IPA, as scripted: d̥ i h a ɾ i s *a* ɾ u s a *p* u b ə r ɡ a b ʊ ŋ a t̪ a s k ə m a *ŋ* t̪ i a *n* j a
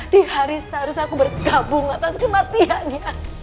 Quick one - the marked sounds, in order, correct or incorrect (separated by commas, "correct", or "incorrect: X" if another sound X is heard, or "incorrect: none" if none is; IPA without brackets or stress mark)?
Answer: correct, incorrect: k, incorrect: none, correct